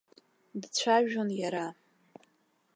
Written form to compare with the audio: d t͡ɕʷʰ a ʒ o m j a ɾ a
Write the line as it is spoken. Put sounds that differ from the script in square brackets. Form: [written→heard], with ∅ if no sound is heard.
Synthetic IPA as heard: d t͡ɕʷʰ a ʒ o [m→n] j a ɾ a